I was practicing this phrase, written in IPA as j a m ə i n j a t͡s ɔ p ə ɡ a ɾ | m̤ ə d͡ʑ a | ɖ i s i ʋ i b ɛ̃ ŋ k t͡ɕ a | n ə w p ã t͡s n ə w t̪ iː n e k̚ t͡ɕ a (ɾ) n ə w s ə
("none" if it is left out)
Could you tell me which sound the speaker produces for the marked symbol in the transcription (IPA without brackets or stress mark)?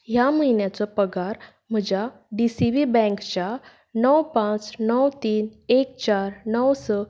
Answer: ɾ